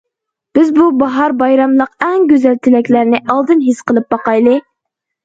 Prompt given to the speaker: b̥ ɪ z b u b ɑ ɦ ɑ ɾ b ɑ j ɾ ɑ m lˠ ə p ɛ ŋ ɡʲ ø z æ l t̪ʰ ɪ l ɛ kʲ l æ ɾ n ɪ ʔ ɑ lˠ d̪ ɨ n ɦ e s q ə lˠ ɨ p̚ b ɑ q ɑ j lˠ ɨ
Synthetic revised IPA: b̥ ɪ z b u b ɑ ɦ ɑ ɾ b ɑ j ɾ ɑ m lˠ ə q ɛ ŋ ɡʲ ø z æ l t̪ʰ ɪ l ɛ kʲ l æ ɾ n ɪ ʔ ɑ lˠ d̪ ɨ n ɦ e s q ə lˠ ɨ p̚ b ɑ q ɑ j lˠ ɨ

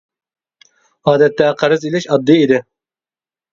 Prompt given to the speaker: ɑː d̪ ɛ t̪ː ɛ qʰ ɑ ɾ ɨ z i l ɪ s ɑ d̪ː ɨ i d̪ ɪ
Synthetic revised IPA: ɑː d̪ ɛ t̪ː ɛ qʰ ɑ ɾ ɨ z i l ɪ ʃ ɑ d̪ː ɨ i d̪ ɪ

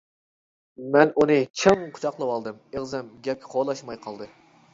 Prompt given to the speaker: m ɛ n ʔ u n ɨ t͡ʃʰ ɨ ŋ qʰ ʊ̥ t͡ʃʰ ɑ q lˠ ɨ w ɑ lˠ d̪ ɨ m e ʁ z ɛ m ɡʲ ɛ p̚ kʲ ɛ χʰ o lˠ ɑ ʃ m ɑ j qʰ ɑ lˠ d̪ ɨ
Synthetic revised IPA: m ɛ n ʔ u n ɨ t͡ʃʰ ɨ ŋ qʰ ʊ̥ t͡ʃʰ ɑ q lˠ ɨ w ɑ lˠ d̪ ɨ m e ʁ z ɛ m ɡʲ ɛ p̚ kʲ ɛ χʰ o lˠ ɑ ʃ m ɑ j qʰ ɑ lˠ d̪ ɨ

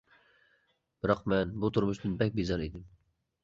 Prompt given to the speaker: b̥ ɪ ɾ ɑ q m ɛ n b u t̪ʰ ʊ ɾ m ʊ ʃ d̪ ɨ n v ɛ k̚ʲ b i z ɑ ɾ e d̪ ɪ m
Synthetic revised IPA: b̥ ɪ ɾ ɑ q m ɛ n b u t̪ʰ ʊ ɾ m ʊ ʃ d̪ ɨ n b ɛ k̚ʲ b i z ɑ ɾ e d̪ ɪ m

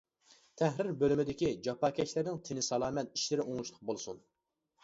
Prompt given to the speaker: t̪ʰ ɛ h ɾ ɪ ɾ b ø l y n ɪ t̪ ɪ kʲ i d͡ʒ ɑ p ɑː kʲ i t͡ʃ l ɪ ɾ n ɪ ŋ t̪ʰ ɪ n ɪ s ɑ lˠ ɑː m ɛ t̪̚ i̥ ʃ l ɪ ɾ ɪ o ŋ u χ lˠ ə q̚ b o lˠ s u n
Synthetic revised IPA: t̪ʰ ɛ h ɾ ɪ ɾ b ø l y m ɪ d̪ ɪ kʲ i d͡ʒ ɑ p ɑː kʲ ɛ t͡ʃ l ɪ ɾ n ɪ ŋ t̪ʰ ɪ n ɪ s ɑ lˠ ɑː m ɛ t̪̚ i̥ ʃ l ɪ ɾ ɪ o ŋ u ʃ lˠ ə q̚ b o lˠ s u n

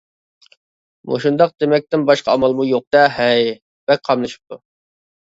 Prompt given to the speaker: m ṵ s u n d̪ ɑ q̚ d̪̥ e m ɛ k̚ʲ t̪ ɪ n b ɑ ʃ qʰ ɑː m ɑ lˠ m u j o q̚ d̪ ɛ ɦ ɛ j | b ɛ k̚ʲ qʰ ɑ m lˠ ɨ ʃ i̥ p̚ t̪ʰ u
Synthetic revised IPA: m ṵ ʃ u n d̪ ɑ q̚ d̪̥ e m ɛ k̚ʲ t̪ ɪ n b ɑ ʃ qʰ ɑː m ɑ lˠ m u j o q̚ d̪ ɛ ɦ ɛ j | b ɛ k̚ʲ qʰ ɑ m lˠ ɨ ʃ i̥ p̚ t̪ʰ u

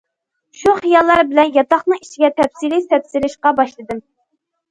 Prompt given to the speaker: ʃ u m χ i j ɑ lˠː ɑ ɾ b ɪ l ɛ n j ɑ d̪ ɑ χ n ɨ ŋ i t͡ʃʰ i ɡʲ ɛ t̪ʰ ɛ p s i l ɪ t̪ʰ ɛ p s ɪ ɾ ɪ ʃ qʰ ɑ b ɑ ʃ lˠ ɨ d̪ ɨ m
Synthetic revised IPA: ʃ u χ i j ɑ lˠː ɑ ɾ b ɪ l ɛ n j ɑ t̪ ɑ χ n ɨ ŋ i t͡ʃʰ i ɡʲ ɛ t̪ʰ ɛ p s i l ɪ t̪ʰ ɛ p s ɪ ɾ ɪ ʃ q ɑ b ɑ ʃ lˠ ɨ d̪ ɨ m

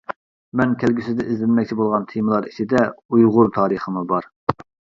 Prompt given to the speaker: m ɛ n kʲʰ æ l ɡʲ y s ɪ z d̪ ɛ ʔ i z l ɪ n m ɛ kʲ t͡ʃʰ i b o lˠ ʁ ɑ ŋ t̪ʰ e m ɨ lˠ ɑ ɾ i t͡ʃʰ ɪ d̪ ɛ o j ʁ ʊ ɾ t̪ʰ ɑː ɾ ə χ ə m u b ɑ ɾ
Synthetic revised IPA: m ɛ n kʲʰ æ l ɡʲ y s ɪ z d̪ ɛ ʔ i z l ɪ n m ɛ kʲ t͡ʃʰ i b o lˠ ʁ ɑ n t̪ʰ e m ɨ lˠ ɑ ɾ i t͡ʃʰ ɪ d̪ ɛ u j ʁ ʊ ɾ t̪ʰ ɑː ɾ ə χ ə m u b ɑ ɾ

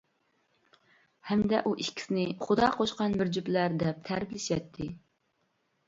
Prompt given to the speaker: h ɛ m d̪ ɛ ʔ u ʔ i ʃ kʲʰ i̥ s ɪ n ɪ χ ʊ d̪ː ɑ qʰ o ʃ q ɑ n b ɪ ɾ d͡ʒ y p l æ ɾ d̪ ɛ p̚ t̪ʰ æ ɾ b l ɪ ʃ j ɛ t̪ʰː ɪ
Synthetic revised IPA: h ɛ m d̪ ɛ ʔ u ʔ i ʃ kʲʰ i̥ s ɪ n ɪ χ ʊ d̪ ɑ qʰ o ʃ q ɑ n b ɪ ɾ d͡ʒ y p l æ ɾ d̪ ɛ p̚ t̪ʰ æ ɾ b l ɪ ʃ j ɛ t̪ʰː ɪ

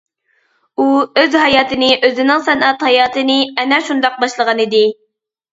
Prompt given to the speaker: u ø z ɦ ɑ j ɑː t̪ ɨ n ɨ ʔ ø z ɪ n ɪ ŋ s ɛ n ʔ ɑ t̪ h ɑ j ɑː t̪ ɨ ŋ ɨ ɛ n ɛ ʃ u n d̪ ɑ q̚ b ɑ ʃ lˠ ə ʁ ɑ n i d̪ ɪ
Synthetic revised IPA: u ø z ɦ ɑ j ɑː t̪ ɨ n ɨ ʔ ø z ɪ n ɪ ŋ s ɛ n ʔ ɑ t̪ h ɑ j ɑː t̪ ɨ n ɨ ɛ n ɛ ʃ u n d̪ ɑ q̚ b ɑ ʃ lˠ ə ʁ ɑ n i d̪ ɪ

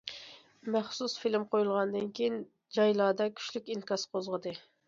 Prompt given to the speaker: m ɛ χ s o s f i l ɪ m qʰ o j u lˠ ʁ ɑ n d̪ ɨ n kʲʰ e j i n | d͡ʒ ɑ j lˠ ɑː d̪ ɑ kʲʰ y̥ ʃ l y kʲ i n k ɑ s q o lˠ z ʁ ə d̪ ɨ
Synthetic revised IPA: m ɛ χ s u s f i l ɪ m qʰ o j u lˠ ʁ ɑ n d̪ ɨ n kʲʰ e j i n | d͡ʒ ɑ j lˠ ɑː d̪ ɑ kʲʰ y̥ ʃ l y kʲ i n k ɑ s q o z ʁ ə d̪ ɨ

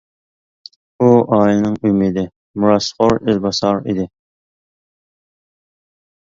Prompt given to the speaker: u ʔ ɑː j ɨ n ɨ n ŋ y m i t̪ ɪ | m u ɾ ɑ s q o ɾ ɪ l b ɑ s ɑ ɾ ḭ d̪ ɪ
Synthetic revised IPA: u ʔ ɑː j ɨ n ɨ ŋ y m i d̪ ɪ | m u ɾ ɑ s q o ɾ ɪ l b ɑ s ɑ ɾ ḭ d̪ ɪ

